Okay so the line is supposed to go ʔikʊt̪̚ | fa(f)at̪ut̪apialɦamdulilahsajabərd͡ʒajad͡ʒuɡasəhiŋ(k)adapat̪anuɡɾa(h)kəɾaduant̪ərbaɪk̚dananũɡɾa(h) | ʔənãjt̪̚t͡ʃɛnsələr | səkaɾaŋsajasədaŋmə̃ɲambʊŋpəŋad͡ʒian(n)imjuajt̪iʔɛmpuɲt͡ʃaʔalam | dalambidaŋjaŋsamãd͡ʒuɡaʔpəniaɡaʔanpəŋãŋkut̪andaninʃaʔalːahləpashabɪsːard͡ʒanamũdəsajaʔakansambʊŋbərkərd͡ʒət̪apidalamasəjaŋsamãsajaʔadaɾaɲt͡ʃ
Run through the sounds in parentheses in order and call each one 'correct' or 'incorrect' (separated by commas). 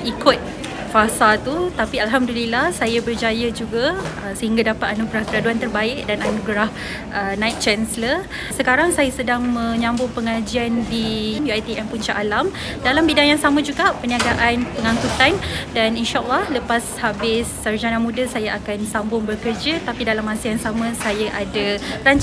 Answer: incorrect, incorrect, correct, correct, incorrect